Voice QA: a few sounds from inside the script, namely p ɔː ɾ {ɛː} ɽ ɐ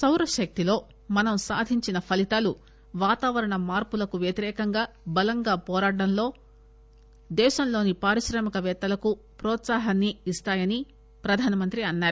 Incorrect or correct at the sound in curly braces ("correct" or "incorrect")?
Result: incorrect